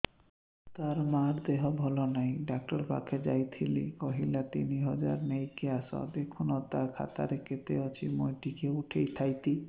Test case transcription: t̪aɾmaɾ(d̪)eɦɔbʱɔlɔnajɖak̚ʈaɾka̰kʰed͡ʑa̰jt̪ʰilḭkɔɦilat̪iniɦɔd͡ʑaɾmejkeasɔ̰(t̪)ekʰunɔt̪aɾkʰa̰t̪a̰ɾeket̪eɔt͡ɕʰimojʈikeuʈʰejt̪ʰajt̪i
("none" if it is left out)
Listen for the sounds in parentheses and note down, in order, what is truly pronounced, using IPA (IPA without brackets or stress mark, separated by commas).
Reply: d̪, d̪